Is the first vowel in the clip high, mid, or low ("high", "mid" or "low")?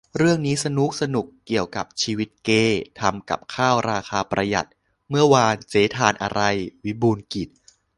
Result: high